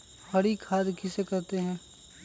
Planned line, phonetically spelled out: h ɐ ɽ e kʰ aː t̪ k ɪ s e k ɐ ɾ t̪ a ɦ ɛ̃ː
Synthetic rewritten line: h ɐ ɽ i kʰ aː d̪ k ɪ s e k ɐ ɾ t̪ e ɦ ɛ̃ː

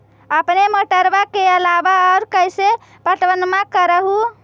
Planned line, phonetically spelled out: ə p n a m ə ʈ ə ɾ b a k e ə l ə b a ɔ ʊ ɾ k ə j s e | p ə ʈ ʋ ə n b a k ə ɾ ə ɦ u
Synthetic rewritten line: ə p n e m ə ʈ ə ɾ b a k e ə l a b a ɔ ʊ ɾ k ə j s e | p ə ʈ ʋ ə n m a k ə ɾ ə ɦ u

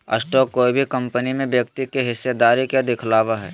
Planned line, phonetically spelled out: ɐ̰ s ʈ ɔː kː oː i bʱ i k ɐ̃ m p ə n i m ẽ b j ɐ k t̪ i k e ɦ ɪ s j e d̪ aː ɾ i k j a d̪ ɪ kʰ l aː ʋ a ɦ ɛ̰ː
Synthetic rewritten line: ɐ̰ s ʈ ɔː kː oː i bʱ i k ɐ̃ m p ə n i m ẽ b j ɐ k t̪ i k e ɦ ɪ s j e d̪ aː ɾ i k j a d̪ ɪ kʰ l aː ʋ a ɦ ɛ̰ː

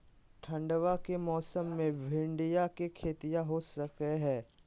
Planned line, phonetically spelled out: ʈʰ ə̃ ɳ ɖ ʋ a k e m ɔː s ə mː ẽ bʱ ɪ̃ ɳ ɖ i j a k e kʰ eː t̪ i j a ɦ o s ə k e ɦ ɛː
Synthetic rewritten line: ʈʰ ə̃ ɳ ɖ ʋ a k e m ɔː s ə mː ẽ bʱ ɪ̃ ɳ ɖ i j a k e kʰ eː t̪ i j a ɦ o s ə k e ɦ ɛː

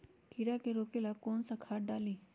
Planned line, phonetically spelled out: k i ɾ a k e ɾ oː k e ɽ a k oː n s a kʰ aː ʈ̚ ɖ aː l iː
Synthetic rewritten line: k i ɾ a k e ɾ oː k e l a k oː n s a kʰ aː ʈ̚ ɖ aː l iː

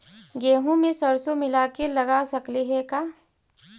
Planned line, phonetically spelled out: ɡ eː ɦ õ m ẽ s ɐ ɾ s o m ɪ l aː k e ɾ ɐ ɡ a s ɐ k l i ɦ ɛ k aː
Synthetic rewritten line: ɡ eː ɦ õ m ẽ s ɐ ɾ s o m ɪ l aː k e l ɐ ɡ a s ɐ k l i ɦ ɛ k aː

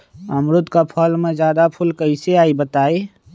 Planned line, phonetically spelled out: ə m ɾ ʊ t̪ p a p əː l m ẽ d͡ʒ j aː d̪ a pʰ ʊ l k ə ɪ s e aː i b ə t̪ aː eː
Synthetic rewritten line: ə m ɾ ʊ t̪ k a pʰ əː l m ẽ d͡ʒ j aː d̪ a pʰ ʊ l k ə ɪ s e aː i b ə t̪ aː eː

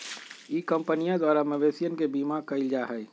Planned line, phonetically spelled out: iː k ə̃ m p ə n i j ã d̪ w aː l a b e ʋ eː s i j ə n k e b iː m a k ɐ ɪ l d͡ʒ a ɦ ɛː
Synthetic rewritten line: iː k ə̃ m p ə n i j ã d̪ w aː ɾ a m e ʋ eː s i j ə n k e b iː m a k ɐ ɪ l d͡ʒ a ɦ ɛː

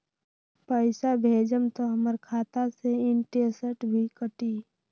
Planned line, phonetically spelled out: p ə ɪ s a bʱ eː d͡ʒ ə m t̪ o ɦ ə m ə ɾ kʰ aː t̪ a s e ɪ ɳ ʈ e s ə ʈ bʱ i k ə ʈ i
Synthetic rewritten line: p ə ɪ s a bʱ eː d͡ʒ ə m t̪ o ɦ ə m ə ɾ kʰ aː t̪ a s e ɪ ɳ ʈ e s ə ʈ bʱ i k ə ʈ i

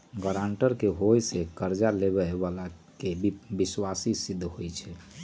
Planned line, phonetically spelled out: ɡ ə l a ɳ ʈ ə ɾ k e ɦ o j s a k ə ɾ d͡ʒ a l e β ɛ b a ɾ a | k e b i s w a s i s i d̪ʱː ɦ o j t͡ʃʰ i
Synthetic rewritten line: ɡ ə ɾ a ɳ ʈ ə ɾ k e ɦ o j s e k ə ɾ d͡ʒ a l e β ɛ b a l a | k e b i s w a s i s i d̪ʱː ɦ o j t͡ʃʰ ɛ

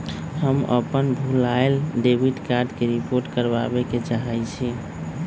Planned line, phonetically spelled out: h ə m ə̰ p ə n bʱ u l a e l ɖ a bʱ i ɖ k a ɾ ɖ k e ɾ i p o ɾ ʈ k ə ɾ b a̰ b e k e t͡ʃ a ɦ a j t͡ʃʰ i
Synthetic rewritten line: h ə m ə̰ p ə n bʱ u l a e l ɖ e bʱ i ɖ k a ɾ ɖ k e ɾ i p o ɾ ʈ k ə ɾ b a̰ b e k e t͡ʃ a ɦ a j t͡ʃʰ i

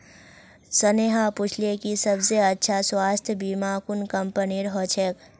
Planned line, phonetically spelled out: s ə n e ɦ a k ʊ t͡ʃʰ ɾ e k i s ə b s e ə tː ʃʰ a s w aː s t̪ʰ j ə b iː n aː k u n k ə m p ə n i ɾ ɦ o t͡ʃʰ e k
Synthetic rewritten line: s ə n e ɦ a p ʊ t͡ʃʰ l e k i s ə b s e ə tː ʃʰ a s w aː s t̪ʰ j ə b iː m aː k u n k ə m p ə n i ɾ ɦ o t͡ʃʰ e k

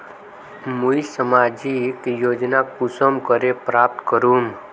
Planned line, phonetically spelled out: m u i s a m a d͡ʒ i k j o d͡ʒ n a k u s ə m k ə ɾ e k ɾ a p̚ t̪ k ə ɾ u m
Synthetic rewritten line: m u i s ə m a d͡ʒ i k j o d͡ʒ n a k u s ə m k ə ɾ e p ɾ a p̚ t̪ k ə ɾ u m

